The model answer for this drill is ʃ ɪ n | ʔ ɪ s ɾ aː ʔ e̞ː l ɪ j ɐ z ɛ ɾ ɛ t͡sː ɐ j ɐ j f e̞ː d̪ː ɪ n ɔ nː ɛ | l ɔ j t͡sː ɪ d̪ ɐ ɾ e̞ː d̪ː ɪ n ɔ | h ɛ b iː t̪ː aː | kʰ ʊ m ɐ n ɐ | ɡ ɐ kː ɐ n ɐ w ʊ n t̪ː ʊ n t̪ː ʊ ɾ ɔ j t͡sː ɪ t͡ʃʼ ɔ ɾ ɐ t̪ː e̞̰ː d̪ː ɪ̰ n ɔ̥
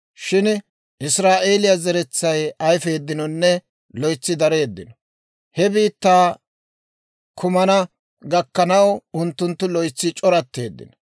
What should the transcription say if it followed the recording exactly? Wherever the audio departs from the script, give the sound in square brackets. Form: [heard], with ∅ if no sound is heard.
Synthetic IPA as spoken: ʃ ɪ n | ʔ ɪ s ɾ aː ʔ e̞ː l ɪ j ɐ z ɛ ɾ ɛ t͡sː ɐ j ɐ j f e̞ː d̪ː ɪ n ɔ nː ɛ | l ɔ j t͡sː ɪ d̪ ɐ ɾ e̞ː d̪ː ɪ n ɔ | h ɛ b iː t̪ː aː | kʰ ʊ m ɐ n ɐ | ɡ ɐ kː ɐ n ɐ w ʊ n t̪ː ʊ n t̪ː ʊ [l] ɔ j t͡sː ɪ t͡ʃʼ ɔ ɾ ɐ t̪ː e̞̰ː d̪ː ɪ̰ n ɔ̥